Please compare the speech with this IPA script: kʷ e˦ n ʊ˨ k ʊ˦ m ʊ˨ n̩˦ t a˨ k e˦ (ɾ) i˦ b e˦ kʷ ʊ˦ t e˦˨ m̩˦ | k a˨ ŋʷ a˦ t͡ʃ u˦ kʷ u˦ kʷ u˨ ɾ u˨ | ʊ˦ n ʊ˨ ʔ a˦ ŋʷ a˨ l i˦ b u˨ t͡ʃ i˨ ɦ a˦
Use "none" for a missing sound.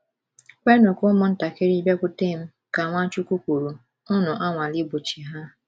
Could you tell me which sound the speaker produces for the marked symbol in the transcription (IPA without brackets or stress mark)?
ɾ